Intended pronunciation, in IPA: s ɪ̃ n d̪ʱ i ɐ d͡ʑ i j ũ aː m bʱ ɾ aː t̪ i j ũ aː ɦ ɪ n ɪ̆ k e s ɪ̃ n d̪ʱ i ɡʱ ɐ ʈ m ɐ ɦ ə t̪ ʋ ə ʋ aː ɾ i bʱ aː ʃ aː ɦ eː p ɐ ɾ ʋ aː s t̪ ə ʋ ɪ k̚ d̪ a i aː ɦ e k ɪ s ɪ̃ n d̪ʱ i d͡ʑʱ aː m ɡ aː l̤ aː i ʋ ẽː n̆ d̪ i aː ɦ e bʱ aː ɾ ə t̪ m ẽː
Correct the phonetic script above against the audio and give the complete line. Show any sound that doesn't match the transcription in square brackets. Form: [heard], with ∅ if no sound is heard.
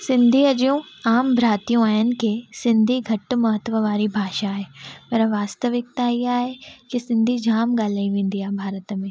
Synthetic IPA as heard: s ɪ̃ n d̪ʱ i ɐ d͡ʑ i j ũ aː m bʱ ɾ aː t̪ i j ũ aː ɦ ɪ n ɪ̆ k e s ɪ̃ n d̪ʱ i ɡʱ ɐ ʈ m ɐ ɦ ə t̪ ʋ ə ʋ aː ɾ i bʱ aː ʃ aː ɦ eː p ɐ ɾ ʋ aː s t̪ ə ʋ ɪ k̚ [t̪] a i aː ɦ e k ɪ s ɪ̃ n d̪ʱ i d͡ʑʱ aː m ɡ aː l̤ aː i ʋ ẽː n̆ d̪ i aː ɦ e bʱ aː ɾ ə t̪ m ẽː